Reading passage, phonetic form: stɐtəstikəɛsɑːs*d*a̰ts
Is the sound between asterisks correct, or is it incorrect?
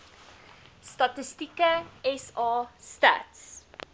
incorrect